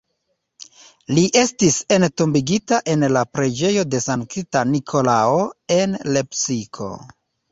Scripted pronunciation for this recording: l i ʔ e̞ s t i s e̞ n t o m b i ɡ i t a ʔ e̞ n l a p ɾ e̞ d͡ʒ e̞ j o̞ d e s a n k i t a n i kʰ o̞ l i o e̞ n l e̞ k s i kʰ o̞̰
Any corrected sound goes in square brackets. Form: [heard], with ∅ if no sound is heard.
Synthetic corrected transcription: l i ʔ e̞ s t i s e̞ n t o m b i ɡ i t a ʔ e̞ n l a p ɾ e̞ d͡ʒ e̞ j o̞ d e s a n k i t a n i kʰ o̞ l [a] o e̞ n l e̞ [p] s i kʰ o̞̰